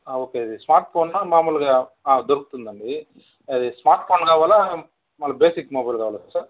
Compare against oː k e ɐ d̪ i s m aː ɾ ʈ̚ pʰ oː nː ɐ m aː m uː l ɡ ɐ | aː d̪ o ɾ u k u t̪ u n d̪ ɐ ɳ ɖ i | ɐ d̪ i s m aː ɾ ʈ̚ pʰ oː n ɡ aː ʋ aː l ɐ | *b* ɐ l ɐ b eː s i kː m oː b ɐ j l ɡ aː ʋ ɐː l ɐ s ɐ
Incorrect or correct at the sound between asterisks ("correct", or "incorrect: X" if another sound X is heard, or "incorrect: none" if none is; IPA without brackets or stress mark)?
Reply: incorrect: m